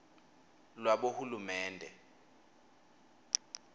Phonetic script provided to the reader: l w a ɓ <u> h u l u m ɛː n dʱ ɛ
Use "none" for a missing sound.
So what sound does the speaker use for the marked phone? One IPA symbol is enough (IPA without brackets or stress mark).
o